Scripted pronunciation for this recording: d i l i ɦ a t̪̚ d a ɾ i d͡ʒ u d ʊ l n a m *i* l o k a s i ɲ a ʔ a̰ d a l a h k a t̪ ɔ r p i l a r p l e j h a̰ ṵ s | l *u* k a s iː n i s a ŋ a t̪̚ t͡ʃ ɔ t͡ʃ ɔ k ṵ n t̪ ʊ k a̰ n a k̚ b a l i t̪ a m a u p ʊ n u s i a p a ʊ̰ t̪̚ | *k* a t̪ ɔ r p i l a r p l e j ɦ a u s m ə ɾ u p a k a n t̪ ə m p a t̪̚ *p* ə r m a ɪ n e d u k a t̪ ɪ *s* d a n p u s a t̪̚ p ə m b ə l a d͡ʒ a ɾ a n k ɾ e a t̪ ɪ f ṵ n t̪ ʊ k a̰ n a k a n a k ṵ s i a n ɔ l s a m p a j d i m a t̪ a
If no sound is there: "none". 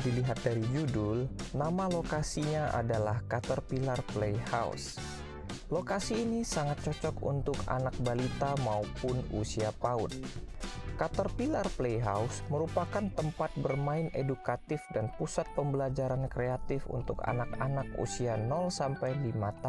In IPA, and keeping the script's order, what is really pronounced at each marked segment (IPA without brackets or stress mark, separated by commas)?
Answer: a, o, k, b, f